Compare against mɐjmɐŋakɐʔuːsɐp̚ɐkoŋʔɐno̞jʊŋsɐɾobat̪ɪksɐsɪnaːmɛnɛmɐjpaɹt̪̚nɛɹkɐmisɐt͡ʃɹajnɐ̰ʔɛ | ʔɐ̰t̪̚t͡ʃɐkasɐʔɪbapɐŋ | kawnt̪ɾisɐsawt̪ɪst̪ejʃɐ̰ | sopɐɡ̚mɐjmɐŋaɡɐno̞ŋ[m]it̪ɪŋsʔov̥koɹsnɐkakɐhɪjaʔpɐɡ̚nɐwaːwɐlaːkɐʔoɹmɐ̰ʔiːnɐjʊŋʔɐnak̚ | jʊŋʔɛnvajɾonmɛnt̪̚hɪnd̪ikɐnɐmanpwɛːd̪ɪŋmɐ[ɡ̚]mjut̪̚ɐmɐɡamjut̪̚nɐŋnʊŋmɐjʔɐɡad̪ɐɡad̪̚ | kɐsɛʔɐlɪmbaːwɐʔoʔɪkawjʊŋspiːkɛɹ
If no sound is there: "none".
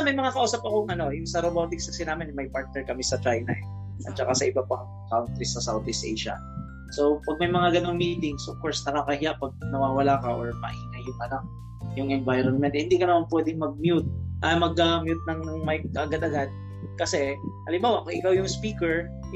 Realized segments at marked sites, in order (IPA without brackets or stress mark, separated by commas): m, ɡ̚